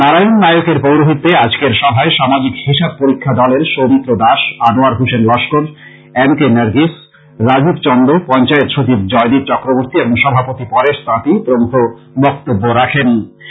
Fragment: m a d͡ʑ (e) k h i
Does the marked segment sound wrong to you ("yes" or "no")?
yes